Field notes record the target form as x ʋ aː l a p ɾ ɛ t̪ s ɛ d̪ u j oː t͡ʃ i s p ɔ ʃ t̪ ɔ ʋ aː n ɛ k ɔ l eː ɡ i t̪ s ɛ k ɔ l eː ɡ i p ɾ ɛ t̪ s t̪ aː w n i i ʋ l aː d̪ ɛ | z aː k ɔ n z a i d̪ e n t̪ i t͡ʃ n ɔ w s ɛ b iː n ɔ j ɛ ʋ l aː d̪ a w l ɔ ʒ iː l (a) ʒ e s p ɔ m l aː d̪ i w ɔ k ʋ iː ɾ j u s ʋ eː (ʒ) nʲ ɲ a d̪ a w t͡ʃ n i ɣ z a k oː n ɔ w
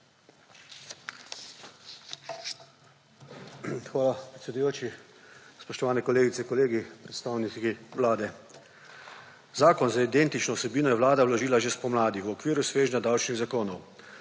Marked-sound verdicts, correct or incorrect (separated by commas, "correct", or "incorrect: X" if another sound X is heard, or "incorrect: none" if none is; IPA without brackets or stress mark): correct, correct